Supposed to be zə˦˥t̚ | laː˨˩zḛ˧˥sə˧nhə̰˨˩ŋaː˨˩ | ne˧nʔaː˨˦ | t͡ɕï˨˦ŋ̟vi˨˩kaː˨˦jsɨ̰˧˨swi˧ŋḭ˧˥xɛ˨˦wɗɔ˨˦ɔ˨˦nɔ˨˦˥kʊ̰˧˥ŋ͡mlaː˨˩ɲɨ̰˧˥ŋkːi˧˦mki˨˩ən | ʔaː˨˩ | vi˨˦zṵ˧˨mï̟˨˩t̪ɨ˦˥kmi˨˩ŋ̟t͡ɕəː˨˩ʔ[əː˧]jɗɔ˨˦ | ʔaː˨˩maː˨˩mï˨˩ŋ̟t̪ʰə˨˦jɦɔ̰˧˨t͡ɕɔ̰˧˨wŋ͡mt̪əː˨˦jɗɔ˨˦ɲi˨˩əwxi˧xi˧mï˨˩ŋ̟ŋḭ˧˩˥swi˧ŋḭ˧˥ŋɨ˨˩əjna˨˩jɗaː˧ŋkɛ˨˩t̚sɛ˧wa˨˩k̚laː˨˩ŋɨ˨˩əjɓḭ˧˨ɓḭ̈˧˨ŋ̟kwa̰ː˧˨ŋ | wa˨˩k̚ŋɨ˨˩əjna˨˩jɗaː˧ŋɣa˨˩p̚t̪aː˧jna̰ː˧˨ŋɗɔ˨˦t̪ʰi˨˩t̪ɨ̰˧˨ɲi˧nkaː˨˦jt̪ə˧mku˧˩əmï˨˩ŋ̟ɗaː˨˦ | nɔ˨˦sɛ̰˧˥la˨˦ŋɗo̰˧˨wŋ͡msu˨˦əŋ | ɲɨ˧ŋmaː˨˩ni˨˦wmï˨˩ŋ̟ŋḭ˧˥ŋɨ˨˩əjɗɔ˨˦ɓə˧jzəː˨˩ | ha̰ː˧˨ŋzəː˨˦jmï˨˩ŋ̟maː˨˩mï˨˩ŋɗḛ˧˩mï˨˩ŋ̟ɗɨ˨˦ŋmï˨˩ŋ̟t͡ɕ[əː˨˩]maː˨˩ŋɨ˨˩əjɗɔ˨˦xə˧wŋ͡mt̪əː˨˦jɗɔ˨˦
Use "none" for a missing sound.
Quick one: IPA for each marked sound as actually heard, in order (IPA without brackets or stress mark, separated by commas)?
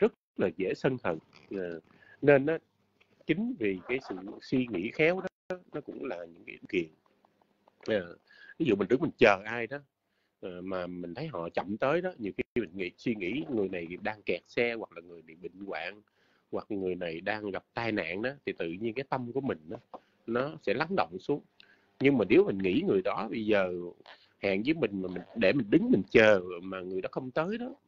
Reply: aː˧, əː˨˩